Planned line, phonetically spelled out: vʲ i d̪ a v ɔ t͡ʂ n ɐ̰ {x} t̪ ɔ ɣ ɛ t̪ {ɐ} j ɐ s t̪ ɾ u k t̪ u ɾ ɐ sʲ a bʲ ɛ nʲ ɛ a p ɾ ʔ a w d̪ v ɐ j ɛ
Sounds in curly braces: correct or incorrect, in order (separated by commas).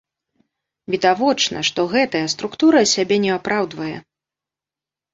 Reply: incorrect, correct